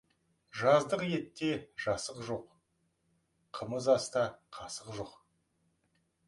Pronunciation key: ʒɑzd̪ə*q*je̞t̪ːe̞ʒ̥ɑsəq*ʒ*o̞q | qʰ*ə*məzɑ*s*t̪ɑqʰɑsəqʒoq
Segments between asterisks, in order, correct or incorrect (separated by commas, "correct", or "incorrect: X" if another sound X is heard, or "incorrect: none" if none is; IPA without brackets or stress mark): correct, correct, correct, correct